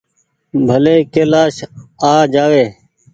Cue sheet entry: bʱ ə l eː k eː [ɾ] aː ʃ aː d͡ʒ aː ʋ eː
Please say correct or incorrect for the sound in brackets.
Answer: incorrect